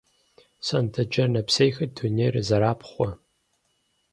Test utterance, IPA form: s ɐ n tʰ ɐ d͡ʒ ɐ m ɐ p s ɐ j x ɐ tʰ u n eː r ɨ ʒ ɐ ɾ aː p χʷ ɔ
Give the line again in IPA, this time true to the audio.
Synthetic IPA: s ɐ n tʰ ɐ d͡ʒ ɐ n ɐ p s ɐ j x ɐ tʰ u n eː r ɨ z ɐ ɾ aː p χʷ ɔ